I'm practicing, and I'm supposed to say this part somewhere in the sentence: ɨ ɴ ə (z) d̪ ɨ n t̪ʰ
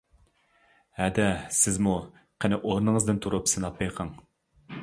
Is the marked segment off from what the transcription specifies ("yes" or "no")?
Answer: no